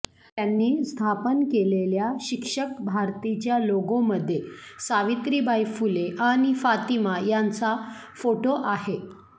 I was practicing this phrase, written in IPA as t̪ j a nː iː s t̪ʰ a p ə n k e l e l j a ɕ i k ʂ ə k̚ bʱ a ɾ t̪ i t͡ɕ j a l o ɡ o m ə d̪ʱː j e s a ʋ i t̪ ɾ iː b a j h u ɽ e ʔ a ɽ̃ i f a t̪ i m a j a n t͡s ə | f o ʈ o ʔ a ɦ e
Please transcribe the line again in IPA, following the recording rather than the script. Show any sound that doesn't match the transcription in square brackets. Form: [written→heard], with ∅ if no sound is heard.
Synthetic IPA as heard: t̪ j a nː iː s t̪ʰ a p ə n k e l e l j a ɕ i k ʂ ə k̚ bʱ a ɾ t̪ i t͡ɕ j a l o ɡ o m ə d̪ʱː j e s a ʋ i t̪ ɾ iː b a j [h→f] u [ɽ→l] e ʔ a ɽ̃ i f a t̪ i m a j a n t͡s [ə→a] | f o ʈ o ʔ a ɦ e